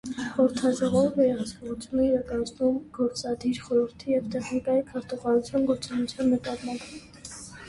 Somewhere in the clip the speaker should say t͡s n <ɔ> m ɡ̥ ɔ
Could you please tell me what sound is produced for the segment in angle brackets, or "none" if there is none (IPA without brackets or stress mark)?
u